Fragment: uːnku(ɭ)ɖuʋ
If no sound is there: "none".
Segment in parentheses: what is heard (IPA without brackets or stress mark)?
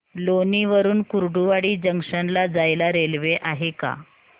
ɾ